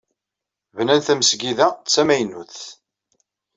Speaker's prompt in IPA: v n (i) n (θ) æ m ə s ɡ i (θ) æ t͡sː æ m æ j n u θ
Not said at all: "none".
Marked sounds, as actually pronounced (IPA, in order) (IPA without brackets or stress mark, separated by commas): æ, θ, ð